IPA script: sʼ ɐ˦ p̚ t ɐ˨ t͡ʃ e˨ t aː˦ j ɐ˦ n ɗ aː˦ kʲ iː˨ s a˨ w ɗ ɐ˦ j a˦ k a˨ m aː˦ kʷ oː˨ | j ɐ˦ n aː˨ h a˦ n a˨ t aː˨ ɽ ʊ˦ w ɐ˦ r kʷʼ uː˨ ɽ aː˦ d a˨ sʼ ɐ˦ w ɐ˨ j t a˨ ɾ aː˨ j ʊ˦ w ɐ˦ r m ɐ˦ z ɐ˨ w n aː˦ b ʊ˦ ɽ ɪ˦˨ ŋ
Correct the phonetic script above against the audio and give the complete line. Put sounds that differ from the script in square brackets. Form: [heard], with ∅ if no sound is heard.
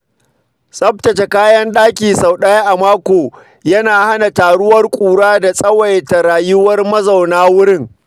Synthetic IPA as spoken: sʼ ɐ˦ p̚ t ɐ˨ t͡ʃ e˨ [k] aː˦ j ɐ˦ n ɗ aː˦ kʲ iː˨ s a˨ w ɗ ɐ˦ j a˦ [ʔ] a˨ m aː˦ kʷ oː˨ | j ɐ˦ n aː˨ h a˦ n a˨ t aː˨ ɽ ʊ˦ w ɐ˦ r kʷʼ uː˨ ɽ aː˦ d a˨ sʼ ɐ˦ w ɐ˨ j t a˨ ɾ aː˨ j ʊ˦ w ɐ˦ r m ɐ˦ z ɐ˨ w n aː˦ [w] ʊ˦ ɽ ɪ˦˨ ŋ